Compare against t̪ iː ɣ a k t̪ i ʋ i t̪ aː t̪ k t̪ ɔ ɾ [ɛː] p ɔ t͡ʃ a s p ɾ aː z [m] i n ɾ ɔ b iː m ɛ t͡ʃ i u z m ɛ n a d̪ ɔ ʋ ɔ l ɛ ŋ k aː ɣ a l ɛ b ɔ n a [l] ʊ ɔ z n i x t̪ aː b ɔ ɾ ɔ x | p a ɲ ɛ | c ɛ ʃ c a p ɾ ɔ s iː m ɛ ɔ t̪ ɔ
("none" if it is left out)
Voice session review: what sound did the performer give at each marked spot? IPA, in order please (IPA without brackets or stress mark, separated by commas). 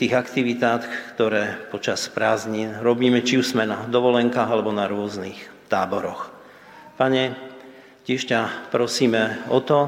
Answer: ɛː, ɲ, ɾ